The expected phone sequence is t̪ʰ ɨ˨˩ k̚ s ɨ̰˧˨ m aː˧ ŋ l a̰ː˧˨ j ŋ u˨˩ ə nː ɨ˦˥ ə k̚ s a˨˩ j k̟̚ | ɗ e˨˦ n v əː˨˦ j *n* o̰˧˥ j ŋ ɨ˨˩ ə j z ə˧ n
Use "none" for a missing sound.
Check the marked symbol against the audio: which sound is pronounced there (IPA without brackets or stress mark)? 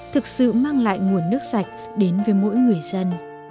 m